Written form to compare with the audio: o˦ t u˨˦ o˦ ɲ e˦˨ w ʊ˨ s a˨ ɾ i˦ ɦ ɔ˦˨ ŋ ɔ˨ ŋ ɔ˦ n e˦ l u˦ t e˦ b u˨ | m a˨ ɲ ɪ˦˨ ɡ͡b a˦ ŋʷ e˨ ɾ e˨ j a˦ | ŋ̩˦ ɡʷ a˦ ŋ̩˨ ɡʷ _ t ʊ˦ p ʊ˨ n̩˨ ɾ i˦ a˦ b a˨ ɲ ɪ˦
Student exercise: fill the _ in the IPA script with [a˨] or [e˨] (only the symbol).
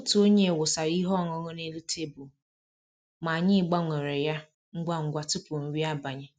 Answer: a˨